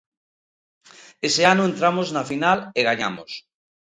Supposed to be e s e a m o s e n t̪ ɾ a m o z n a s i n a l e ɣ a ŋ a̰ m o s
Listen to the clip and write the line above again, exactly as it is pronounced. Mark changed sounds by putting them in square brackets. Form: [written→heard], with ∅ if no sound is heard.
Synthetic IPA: e s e a [m→n] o [s→∅] e n t̪ ɾ a m o z n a [s→f] i n a l e ɣ a [ŋ→ɲ] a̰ m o s